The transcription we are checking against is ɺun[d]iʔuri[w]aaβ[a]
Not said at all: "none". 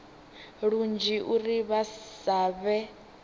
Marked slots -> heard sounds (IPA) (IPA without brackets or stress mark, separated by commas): d͡ʒ, β, ɛ